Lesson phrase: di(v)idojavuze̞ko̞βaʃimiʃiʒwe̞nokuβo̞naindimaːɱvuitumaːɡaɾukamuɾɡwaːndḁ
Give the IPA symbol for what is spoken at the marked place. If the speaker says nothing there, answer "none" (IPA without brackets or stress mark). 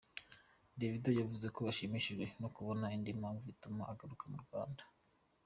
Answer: v